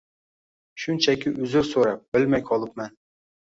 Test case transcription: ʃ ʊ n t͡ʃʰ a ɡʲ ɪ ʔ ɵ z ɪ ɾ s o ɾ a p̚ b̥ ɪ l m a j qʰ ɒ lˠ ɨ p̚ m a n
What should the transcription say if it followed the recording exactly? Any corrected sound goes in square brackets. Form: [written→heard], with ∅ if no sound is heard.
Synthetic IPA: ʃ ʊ n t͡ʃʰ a [ɡʲ→kʲ] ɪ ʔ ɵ z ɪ ɾ s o ɾ a p̚ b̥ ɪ l m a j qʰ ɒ lˠ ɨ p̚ m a n